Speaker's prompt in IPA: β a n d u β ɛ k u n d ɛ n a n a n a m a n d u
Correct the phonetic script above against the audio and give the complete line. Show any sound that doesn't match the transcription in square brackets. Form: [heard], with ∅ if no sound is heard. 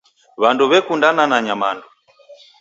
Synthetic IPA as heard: β a n d u β ɛ k u n d [a] n a n a [ɲ] a m a n d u